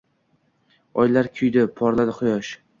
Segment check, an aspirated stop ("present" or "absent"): present